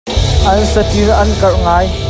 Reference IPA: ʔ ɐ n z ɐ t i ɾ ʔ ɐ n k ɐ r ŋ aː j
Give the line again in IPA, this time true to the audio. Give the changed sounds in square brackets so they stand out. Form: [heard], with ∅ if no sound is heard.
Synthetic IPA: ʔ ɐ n [s] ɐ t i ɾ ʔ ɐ n k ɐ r ŋ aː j